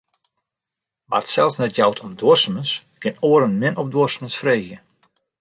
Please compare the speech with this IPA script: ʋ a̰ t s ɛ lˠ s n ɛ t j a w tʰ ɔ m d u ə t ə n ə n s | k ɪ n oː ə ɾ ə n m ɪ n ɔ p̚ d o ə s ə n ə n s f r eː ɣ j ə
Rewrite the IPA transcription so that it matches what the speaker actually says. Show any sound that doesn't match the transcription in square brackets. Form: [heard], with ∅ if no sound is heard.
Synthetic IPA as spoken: ʋ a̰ t s ɛ lˠ s n ɛ t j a w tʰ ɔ m d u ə [s] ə [m] ə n s | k ɪ n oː ə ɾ ə n m ɪ n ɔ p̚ d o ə s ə [m] ə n s f r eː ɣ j ə